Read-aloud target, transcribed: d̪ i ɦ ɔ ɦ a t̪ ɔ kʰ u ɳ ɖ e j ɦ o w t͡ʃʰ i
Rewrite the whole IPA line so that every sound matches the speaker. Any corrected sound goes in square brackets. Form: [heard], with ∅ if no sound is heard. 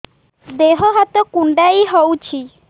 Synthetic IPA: d̪ [e] ɦ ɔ ɦ a t̪ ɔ [k] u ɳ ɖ [a] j ɦ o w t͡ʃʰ i